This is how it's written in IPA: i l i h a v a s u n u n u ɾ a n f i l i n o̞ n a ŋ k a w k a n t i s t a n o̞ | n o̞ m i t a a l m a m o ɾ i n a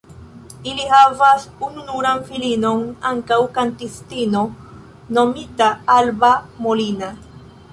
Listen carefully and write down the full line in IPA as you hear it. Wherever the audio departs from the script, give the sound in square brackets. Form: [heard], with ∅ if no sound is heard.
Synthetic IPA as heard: i l i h a v a s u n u n u ɾ a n f i l i n o̞ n a ŋ k a w k a n t i s t [i] n o̞ | n o̞ m i t a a l [b] a m o [l] i n a